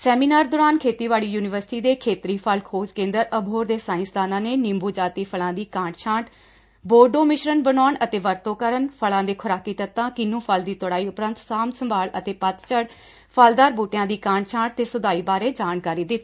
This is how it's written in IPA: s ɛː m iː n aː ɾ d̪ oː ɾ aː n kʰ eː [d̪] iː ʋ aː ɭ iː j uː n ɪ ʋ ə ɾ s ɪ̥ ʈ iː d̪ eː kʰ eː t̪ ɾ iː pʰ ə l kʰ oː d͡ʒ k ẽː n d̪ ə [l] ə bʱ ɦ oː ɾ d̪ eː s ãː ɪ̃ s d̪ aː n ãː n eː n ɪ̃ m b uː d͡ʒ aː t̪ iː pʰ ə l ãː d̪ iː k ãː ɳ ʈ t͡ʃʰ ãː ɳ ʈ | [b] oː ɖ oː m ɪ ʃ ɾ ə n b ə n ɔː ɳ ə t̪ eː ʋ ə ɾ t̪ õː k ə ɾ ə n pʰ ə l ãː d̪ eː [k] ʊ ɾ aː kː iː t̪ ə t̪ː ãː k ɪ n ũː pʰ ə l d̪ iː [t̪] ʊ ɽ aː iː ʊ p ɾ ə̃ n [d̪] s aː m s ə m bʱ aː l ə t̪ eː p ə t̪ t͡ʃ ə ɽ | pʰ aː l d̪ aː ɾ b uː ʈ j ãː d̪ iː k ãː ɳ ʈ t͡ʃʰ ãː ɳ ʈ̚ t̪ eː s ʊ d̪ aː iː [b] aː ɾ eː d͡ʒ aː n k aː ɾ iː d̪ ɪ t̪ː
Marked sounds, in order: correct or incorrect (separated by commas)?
incorrect, incorrect, correct, incorrect, correct, incorrect, correct